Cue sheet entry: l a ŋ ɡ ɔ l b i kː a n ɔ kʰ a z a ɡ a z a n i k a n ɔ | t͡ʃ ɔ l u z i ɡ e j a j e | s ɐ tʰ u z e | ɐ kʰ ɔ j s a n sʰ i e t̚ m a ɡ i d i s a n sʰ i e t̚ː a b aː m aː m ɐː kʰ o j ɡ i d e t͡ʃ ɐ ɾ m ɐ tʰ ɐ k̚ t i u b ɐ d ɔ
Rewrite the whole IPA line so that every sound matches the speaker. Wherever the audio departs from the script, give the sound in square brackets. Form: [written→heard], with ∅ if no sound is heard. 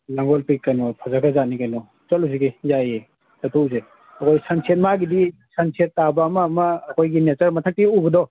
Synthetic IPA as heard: l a ŋ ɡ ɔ l [b→p] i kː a n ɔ [kʰ→pʰ] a z a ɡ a z a n i k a n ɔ | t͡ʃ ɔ l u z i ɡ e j a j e | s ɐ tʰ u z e | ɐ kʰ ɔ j s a n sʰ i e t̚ m a ɡ i d i s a n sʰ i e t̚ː a b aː m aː m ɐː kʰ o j ɡ i [d→n] e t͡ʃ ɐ ɾ m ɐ tʰ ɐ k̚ t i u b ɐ d ɔ